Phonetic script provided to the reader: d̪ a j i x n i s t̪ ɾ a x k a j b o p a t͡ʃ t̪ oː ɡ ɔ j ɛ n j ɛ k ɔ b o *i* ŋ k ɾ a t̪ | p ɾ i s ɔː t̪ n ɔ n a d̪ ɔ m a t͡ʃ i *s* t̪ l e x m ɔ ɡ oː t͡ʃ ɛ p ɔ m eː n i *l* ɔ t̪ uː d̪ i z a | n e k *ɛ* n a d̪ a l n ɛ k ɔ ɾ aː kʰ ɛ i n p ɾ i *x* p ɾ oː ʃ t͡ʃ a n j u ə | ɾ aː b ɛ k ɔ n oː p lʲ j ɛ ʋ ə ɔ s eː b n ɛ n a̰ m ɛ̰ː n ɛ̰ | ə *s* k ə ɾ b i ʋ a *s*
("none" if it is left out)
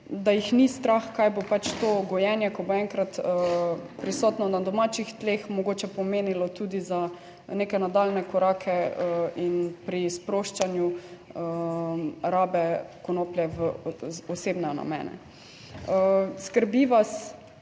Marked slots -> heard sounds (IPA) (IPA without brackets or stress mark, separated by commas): ɛ, x, l, ɛ, s, s, s